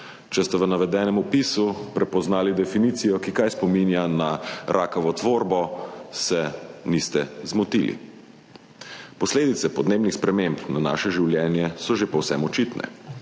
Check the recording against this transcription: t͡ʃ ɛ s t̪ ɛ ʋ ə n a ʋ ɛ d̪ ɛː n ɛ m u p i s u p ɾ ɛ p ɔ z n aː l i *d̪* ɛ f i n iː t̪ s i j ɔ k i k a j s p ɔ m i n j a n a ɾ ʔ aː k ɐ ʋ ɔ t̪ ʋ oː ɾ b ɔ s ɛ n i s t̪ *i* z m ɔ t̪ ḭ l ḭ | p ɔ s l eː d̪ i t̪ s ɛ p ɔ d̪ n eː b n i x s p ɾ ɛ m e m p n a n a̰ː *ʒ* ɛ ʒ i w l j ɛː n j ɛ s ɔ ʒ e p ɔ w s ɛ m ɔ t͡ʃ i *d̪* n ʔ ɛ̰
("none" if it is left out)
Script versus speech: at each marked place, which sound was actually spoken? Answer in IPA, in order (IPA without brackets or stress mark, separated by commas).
d̪, ɛ, ʃ, t̪